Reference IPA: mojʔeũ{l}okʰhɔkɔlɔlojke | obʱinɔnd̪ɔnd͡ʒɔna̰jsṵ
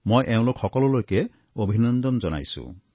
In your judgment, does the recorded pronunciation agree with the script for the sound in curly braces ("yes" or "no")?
yes